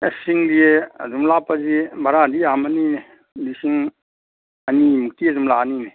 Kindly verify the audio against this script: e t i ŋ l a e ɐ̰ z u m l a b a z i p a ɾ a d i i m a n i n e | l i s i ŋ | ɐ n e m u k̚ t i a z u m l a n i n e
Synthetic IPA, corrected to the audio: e s i ŋ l i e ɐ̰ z u m l a p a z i b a ɾ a d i a m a n i n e | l i s i ŋ | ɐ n i m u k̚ t i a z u m l a n i n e